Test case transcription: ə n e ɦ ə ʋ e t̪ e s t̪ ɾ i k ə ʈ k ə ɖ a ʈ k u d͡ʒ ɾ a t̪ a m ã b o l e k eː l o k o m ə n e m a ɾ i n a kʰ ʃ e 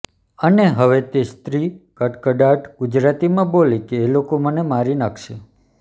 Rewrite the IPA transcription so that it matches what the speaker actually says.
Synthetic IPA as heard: ə n e ɦ ə ʋ e t̪ e s t̪ ɾ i k ə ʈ k ə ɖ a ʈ ɡ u d͡ʒ ɾ a t̪ i m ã b o l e k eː l o k o m ə n e m a ɾ i n a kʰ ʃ e